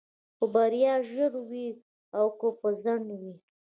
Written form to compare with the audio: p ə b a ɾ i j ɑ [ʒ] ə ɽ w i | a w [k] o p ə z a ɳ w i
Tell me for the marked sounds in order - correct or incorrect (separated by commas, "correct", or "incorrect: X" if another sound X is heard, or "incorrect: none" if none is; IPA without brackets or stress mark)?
correct, correct